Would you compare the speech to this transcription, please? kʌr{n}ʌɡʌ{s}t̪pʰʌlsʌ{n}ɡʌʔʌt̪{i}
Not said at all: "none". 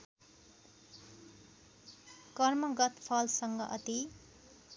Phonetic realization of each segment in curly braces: m, none, ŋ, i

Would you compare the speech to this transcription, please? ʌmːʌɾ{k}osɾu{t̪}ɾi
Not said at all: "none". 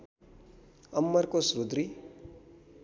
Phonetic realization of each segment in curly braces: k, d̪

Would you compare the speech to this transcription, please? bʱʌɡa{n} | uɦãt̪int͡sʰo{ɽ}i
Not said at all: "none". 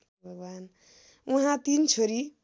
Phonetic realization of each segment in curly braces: n, ɾ

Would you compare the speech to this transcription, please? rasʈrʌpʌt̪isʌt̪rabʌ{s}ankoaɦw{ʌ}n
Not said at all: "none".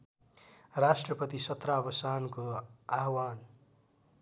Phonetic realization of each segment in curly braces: s, a

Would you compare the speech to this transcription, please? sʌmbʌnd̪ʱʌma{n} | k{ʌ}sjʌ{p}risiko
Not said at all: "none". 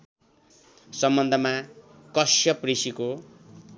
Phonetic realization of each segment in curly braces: none, ʌ, p

